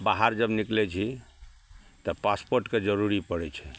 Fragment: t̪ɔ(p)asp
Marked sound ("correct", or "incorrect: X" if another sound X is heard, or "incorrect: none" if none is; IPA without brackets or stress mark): correct